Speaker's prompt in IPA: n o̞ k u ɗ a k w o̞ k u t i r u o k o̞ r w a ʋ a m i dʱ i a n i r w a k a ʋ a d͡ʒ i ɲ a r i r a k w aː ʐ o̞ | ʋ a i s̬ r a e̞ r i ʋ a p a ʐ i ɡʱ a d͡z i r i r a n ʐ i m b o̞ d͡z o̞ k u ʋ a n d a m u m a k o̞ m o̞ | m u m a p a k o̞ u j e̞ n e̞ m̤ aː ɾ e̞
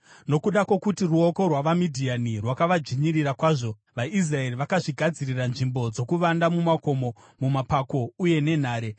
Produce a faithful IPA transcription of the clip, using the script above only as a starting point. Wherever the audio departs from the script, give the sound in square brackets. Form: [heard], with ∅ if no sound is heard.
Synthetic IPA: n o̞ k u ɗ a k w o̞ k u t i r u o k o̞ r w a ʋ a m i dʱ i a n i r w a k a ʋ a d͡ʒ i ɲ [i] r i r a k w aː ʐ o̞ | ʋ a i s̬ r a e̞ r i ʋ a [k] a ʐ i ɡʱ a d͡z i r i r a n ʐ i m b o̞ d͡z o̞ k u ʋ a n d a m u m a k o̞ m o̞ | m u m a p a k o̞ u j e̞ n e̞ [n̤] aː ɾ e̞